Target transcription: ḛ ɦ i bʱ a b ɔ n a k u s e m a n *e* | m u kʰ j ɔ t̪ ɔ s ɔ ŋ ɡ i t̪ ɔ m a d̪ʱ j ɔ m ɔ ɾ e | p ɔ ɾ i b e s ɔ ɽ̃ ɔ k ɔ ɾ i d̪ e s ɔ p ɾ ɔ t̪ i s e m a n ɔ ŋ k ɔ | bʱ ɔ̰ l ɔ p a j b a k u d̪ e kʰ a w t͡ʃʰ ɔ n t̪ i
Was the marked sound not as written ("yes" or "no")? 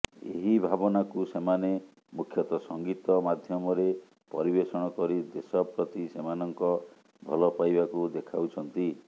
no